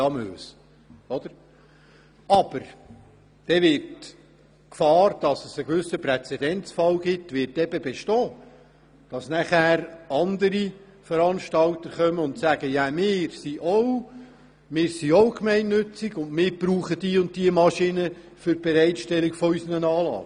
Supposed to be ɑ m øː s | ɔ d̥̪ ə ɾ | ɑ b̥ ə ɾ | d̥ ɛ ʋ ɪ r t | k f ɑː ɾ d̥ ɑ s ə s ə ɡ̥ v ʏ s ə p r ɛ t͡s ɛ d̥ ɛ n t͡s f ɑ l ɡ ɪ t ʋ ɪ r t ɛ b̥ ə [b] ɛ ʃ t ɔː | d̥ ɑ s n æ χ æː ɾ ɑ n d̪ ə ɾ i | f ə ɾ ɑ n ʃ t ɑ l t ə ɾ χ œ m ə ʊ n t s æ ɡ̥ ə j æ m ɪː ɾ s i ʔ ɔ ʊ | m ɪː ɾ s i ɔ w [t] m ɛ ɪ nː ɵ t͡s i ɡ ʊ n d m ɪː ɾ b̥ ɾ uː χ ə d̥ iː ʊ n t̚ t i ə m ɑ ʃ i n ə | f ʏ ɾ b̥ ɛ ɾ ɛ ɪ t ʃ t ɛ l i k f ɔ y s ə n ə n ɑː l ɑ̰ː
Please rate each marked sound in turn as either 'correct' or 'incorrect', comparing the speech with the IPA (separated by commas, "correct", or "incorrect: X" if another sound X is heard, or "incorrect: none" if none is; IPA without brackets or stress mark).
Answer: correct, incorrect: k